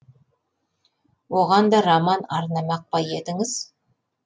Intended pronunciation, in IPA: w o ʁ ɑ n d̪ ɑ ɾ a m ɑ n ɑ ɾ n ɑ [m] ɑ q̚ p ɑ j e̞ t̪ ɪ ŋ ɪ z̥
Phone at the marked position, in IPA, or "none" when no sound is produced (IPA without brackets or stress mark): m